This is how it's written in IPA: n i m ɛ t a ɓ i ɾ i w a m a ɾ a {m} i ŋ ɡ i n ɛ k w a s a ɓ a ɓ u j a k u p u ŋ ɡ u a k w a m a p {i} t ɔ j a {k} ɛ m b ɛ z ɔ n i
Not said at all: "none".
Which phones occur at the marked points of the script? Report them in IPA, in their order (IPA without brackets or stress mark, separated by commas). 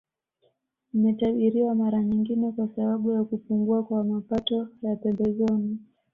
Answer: ɲ, a, p